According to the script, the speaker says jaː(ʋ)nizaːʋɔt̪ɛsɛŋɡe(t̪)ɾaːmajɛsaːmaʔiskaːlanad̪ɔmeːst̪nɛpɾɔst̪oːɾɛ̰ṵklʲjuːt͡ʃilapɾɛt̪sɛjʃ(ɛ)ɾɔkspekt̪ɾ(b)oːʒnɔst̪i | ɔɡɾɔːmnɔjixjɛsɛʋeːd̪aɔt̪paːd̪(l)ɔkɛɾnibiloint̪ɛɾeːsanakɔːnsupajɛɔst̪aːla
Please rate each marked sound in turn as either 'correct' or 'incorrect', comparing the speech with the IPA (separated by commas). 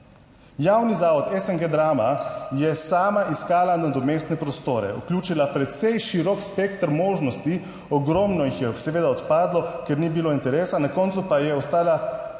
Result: incorrect, incorrect, incorrect, incorrect, correct